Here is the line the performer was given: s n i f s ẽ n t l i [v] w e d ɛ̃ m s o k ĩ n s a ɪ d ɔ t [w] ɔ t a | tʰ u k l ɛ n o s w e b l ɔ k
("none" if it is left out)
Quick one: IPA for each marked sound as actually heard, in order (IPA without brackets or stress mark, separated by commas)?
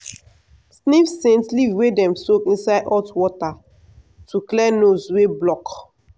v, w